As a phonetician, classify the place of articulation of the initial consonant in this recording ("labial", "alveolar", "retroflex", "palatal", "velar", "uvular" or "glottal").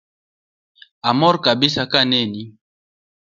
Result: labial